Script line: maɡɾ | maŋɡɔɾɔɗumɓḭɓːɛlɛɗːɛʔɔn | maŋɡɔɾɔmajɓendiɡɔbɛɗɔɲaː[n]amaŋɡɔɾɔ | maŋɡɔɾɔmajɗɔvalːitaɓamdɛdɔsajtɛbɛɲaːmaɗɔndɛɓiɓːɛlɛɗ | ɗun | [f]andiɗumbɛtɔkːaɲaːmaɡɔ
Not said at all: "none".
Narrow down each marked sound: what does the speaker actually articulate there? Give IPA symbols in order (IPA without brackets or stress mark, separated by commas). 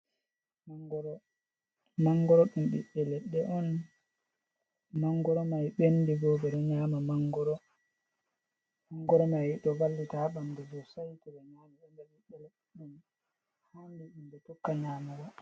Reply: m, h